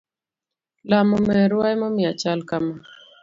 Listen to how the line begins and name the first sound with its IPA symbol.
l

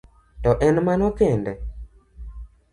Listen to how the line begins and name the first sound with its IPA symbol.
t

